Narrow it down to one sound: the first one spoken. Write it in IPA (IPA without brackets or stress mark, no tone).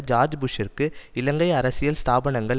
d͡ʒ